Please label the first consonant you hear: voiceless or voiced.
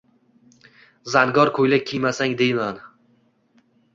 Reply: voiced